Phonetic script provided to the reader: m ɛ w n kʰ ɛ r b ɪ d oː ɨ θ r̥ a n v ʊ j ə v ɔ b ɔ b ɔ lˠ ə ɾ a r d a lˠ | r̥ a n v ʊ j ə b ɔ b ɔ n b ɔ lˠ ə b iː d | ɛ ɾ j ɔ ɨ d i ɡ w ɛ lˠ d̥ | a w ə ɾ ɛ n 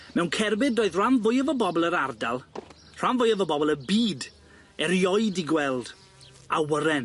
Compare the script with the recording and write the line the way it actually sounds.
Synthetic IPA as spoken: m ɛ w n kʰ ɛ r b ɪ d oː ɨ ð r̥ a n v ʊ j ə v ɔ b ɔ b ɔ lˠ ə ɾ a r d a lˠ | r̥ a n v ʊ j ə v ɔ b ɔ b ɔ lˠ ə b iː d | ɛ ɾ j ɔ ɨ d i ɡ w ɛ lˠ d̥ | a w ə ɾ ɛ n